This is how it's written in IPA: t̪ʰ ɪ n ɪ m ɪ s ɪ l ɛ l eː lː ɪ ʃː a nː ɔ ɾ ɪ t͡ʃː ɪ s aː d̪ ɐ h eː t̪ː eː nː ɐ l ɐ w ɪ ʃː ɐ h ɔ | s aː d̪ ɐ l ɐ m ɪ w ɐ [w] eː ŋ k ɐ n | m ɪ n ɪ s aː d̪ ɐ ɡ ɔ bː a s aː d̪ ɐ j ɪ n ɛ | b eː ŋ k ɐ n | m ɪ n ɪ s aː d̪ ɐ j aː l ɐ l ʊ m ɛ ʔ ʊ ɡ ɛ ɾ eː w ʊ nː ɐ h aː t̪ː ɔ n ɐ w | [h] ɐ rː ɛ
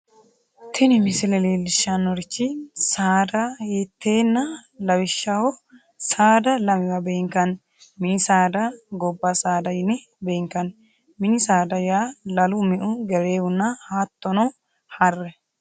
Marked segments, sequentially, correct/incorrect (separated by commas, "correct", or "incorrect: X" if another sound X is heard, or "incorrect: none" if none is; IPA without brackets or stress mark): incorrect: b, correct